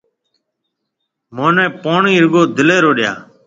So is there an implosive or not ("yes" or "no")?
yes